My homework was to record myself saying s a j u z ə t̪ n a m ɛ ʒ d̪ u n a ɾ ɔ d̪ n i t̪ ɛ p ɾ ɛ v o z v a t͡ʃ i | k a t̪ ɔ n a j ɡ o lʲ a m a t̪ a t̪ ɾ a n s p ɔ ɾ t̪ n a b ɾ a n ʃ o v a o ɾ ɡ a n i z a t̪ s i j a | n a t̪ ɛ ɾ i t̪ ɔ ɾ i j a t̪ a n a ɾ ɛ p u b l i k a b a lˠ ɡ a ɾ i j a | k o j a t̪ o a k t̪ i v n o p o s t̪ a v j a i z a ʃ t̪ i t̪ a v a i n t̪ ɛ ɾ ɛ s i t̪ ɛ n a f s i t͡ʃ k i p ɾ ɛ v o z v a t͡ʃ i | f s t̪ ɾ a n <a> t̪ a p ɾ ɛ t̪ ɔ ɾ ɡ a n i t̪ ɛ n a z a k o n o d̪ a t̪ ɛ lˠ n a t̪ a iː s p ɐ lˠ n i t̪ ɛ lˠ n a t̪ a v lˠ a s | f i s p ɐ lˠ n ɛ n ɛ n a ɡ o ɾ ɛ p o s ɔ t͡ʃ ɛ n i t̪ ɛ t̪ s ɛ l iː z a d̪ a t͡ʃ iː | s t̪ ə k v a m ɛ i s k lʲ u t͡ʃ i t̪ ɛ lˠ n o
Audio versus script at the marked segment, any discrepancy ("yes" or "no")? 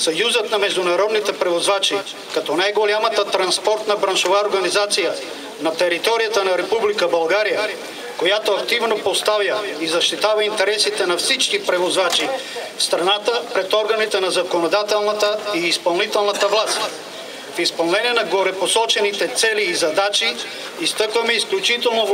no